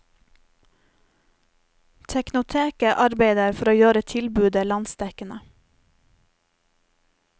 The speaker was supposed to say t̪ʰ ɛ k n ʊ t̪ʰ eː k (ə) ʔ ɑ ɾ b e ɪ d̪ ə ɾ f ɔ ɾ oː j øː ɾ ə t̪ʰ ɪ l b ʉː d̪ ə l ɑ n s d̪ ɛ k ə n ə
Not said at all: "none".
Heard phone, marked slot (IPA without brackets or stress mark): ə